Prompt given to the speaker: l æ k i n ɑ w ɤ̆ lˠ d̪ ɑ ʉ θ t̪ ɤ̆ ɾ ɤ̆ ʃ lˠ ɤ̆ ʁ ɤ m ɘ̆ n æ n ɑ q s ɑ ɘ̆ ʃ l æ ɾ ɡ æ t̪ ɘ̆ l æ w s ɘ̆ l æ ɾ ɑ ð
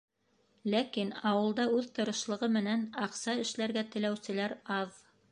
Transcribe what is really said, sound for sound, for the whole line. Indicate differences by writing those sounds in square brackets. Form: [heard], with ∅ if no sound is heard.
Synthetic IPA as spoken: l æ k i n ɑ w ɤ̆ lˠ d̪ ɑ ʉ [ð] t̪ ɤ̆ ɾ ɤ̆ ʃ lˠ ɤ̆ ʁ ɤ m ɘ̆ n æ n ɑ q s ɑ ɘ̆ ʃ l æ ɾ ɡ æ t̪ ɘ̆ l æ w s ɘ̆ l æ ɾ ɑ ð